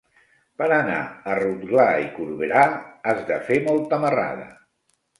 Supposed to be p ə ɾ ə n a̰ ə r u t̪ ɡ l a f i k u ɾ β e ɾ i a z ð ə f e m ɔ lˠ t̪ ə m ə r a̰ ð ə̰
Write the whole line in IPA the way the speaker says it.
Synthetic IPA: p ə ɾ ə n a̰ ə r u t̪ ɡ l a i k u ɾ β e ɾ a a z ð ə f e m ɔ lˠ t̪ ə m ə r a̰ ð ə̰